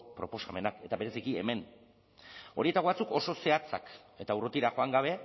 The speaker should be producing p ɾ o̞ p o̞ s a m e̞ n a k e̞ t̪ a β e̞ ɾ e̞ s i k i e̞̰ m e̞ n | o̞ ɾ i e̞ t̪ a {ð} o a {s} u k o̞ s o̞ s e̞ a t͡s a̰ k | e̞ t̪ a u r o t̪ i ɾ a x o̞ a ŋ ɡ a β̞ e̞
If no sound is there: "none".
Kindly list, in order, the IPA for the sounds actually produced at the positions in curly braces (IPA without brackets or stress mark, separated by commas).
ɣ, t͡s